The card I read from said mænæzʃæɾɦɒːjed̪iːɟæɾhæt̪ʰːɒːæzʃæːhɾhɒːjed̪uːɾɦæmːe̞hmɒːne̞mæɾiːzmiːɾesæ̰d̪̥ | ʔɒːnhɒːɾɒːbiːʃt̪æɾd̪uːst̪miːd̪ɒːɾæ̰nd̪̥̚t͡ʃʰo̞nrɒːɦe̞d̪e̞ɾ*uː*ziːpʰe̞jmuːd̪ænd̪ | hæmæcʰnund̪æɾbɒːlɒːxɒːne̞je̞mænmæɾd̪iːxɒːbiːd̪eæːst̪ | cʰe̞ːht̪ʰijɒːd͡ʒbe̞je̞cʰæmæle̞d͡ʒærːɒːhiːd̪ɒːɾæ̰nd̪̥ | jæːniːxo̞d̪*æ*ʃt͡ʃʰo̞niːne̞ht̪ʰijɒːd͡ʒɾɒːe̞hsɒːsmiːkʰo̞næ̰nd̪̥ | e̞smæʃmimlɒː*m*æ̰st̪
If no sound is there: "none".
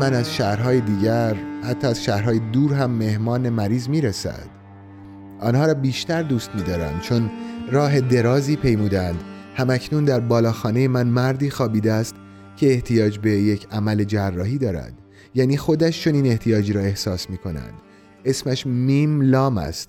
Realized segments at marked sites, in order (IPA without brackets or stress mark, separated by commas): ɒː, æ, m